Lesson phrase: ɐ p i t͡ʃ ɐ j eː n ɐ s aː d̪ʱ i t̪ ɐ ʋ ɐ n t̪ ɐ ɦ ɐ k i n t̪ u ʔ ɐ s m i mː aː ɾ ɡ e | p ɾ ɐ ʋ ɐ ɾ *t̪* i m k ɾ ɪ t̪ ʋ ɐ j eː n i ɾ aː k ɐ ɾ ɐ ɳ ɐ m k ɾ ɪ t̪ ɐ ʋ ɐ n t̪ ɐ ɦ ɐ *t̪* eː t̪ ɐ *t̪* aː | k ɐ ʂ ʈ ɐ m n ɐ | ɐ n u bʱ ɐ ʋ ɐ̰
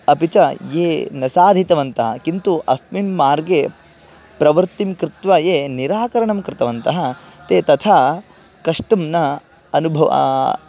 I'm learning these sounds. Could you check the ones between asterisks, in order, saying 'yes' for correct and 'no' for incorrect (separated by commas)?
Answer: yes, yes, no